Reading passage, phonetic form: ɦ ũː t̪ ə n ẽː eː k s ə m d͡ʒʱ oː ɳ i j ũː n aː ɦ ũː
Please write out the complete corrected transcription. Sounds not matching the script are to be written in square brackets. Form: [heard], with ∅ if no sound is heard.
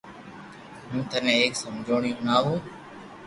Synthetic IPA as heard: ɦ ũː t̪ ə n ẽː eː k s ə m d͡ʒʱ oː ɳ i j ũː n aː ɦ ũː